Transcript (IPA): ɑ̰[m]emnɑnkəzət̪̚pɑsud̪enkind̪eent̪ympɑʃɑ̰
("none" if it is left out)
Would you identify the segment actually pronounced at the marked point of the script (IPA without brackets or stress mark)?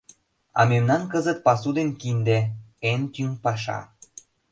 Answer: m